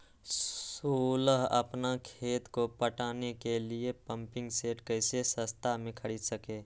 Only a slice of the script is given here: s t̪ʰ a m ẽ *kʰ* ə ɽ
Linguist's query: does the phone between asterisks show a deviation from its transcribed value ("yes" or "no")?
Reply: no